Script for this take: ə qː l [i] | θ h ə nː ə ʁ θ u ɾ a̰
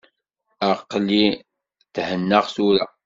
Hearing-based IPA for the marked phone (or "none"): i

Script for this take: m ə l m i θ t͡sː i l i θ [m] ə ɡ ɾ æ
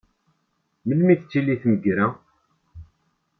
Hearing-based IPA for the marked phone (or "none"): m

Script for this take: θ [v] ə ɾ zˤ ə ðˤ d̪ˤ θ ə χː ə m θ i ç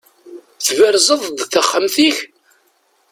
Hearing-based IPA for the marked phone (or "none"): v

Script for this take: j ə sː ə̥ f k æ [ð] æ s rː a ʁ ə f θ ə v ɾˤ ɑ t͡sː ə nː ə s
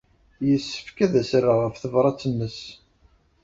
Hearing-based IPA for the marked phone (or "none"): ð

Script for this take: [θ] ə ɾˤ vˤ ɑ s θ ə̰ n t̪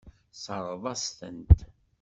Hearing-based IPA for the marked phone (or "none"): s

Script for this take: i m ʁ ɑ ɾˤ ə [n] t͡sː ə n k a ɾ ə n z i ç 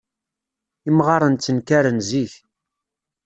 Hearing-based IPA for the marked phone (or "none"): n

